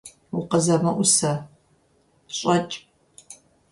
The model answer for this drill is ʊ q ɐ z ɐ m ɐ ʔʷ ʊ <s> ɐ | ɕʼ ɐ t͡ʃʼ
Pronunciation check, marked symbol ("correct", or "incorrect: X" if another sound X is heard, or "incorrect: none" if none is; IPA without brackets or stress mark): correct